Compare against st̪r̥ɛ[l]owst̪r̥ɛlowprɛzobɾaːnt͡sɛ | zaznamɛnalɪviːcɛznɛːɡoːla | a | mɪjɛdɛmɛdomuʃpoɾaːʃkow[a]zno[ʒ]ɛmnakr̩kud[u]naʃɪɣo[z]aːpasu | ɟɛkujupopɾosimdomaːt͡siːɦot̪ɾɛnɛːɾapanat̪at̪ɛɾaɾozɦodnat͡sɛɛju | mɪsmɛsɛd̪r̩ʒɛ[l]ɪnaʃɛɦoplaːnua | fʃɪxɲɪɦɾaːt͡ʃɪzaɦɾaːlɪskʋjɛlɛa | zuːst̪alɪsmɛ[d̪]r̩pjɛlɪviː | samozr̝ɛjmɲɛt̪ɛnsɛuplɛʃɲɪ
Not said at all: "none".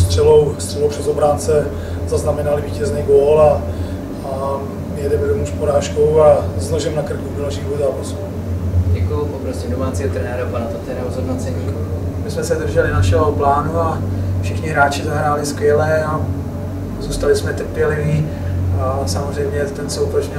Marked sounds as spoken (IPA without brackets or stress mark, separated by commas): l, a, ʒ, o, z, l, t̪